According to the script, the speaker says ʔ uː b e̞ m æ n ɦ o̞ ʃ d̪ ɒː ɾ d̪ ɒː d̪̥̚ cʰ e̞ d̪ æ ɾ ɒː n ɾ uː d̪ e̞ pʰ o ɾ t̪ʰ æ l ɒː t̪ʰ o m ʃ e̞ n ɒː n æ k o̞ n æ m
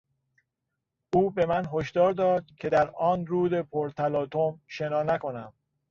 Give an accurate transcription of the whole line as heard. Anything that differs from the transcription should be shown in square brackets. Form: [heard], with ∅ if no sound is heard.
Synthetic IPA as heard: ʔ uː b e̞ m æ n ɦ o̞ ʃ d̪ ɒː ɾ d̪ ɒː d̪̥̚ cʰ e̞ d̪ æ ɾ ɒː n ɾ uː d̪ e̞ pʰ o ɾ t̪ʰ æ l ɒː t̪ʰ o m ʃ e̞ n ɒː n æ k o̞ n æ m